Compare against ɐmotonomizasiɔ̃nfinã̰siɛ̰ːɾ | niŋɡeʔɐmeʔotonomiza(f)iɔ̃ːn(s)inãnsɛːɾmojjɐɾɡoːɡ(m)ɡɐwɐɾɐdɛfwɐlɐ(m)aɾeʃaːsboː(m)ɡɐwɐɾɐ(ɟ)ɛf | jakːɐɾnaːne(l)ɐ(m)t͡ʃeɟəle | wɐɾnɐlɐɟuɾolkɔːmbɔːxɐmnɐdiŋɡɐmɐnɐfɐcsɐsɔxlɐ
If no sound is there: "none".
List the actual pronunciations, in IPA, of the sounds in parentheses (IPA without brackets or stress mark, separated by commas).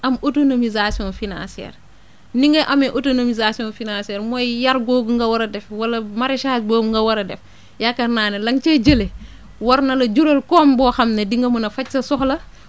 s, f, ŋ, m, ŋ, d, l, ŋ